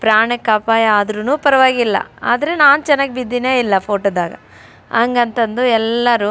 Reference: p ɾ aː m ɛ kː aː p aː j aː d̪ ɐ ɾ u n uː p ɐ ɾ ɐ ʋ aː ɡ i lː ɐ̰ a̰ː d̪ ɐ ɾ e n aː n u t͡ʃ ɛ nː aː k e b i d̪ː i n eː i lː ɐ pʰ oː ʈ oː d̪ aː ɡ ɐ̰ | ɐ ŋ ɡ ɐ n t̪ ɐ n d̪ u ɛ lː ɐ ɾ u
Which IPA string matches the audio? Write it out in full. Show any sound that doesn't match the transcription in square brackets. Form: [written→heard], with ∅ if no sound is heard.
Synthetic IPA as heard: p ɾ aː [m→ɳ] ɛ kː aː p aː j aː d̪ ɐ ɾ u n uː p ɐ ɾ ɐ ʋ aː ɡ i lː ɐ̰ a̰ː d̪ ɐ ɾ e n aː n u t͡ʃ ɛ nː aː [k→ɡ] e b i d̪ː i n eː i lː ɐ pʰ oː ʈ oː d̪ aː ɡ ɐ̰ | ɐ ŋ ɡ ɐ n t̪ ɐ n d̪ u ɛ lː ɐ ɾ u